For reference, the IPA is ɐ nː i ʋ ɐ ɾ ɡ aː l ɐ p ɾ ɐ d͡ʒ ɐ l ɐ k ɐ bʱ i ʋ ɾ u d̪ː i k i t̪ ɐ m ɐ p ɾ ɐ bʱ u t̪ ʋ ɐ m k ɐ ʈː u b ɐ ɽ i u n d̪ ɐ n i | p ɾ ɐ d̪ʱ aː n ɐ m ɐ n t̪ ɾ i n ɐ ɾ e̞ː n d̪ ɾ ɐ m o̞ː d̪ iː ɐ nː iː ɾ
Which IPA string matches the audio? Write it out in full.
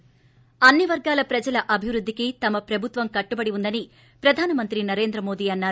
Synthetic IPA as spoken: ɐ nː i ʋ ɐ ɾ ɡ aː l ɐ p ɾ ɐ d͡ʒ ɐ l ɐ ʔ ɐ bʱ i ʋ ɾ u d̪ː i k i t̪ ɐ m ɐ p ɾ ɐ bʱ u t̪ ʋ ɐ m k ɐ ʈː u b ɐ ɽ i u n d̪ ɐ n i | p ɾ ɐ d̪ʱ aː n ɐ m ɐ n t̪ ɾ i n ɐ ɾ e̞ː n d̪ ɾ ɐ m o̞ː d̪ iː ɐ nː aː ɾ